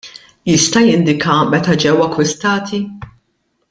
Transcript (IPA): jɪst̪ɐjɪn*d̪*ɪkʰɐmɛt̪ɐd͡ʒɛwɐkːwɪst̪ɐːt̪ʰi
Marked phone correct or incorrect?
correct